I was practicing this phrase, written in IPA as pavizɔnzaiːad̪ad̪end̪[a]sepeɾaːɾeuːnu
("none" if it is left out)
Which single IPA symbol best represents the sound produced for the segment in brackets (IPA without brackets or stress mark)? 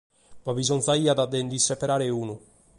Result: i